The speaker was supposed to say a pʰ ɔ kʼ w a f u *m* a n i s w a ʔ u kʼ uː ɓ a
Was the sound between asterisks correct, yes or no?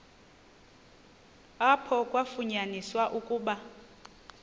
no